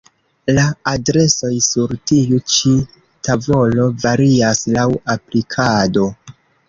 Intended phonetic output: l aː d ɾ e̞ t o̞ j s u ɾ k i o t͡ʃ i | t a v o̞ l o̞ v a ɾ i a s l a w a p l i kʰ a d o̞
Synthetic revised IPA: l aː d ɾ e̞ s o̞ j s u ɾ t i u t͡ʃ i | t a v o̞ l o̞ v a ɾ i a s l a w a p l i kʰ a d o̞